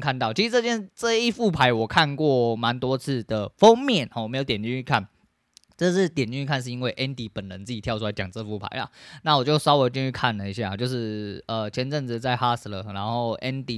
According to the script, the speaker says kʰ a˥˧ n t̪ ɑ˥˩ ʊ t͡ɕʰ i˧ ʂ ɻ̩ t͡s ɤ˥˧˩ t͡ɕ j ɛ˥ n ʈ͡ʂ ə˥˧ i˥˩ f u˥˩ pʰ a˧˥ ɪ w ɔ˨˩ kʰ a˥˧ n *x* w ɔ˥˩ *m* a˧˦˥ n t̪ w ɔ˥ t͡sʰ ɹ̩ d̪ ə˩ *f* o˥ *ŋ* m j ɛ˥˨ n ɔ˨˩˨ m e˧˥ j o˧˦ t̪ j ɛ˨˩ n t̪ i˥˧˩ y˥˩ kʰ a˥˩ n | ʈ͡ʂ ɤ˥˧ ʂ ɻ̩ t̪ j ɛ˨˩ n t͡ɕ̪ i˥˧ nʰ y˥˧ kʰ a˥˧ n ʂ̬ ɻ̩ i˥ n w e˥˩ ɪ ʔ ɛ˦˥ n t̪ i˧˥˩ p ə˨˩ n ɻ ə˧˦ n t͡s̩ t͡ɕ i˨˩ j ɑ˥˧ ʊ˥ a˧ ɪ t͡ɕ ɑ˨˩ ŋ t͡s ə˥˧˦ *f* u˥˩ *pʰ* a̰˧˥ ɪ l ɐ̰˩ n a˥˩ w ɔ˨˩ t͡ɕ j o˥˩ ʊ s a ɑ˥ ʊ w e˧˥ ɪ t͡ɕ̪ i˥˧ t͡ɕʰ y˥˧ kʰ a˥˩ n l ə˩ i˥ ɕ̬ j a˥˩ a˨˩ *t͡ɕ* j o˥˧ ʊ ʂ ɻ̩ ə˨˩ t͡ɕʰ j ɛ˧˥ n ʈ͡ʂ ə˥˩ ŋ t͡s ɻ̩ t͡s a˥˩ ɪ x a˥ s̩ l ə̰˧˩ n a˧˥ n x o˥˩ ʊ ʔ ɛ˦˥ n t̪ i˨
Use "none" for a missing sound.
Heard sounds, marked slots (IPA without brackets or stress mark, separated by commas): k, m, f, ŋ, f, pʰ, t͡ɕ